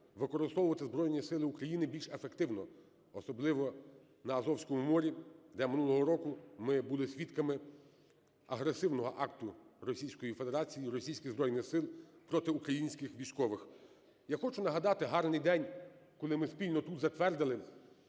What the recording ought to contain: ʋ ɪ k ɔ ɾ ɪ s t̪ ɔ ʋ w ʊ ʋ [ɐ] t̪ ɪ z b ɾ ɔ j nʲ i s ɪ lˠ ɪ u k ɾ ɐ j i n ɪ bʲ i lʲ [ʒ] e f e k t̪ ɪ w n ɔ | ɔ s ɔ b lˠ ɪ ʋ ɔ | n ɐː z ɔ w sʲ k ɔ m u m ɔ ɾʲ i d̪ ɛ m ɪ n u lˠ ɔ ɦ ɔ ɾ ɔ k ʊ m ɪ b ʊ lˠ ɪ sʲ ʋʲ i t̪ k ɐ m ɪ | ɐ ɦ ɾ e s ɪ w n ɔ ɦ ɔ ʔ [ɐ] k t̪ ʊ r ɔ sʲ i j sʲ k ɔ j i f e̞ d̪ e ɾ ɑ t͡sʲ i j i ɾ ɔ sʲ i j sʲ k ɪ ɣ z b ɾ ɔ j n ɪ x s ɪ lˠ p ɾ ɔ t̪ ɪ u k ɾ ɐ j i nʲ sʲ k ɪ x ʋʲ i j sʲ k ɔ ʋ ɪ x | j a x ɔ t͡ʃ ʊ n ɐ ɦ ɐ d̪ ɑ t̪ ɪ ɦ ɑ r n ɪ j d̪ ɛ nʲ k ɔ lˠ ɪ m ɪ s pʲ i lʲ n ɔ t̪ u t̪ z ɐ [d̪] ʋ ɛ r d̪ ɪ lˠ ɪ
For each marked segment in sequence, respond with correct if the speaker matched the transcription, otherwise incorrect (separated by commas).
correct, incorrect, incorrect, incorrect